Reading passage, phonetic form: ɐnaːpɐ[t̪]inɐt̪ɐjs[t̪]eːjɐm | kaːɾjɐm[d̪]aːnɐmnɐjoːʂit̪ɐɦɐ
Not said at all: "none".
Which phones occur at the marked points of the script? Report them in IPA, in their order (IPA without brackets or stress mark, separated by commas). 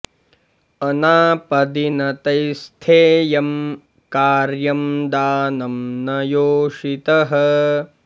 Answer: d̪, t̪ʰ, d̪